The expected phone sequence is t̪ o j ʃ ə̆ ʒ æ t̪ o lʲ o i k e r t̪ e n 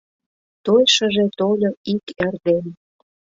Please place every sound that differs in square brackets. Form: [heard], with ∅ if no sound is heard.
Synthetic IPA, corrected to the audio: t̪ o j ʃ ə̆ ʒ [e] t̪ o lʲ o i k e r [d̪] e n